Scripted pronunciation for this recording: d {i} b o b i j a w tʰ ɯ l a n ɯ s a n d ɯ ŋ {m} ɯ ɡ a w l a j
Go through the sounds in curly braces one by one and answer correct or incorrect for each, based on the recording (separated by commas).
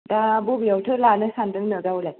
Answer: incorrect, incorrect